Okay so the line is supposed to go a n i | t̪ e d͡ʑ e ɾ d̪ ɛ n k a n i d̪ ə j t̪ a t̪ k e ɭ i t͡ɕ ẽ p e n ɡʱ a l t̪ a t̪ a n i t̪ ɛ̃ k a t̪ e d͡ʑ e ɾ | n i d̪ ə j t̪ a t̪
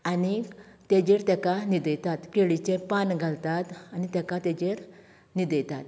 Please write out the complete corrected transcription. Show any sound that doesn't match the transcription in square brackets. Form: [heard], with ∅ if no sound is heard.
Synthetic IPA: a n i | t̪ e d͡ʑ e ɾ [t̪] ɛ [∅] k a n i d̪ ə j t̪ a t̪ k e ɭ i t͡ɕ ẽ p [a] n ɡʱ a l t̪ a t̪ a n i t̪ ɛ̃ k a t̪ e d͡ʑ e ɾ | n i d̪ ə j t̪ a t̪